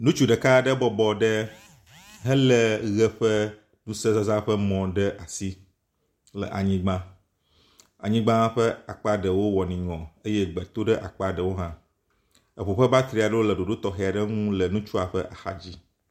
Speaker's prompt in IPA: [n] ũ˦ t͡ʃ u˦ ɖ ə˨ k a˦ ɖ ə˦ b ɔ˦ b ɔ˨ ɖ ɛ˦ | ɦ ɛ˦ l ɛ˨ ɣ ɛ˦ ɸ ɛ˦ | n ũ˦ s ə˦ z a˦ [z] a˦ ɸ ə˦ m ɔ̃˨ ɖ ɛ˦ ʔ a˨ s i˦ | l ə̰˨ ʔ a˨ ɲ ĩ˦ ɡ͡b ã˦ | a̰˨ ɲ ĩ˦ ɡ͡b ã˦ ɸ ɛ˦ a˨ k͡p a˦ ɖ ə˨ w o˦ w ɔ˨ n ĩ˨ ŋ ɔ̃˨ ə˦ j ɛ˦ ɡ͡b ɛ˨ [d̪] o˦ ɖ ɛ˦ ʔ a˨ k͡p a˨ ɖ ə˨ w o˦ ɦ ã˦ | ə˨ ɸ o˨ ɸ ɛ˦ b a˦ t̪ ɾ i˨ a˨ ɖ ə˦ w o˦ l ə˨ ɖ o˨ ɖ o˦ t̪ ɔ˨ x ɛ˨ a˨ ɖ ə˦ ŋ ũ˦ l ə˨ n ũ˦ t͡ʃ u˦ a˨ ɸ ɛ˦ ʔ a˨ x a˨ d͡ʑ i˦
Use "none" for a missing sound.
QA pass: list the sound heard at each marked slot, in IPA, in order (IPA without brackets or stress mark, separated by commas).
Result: n, z, t̪